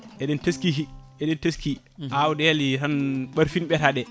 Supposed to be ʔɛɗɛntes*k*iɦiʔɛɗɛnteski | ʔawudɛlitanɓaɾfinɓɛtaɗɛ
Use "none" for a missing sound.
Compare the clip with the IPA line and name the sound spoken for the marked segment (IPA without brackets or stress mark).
k